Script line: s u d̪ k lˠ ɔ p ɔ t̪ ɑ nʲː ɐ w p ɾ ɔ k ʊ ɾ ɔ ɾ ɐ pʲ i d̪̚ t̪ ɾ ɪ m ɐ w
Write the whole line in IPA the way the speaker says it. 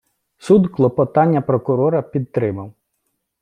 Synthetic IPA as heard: s u d̪ k lˠ ɔ p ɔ t̪ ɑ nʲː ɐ p ɾ ɔ k ʊ ɾ ɔ ɾ ɐ pʲ i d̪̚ t̪ ɾ ɪ m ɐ w